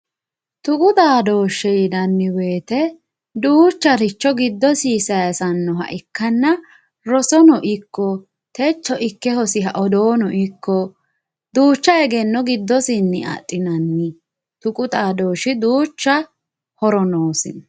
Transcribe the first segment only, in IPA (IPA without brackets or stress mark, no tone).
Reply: t̪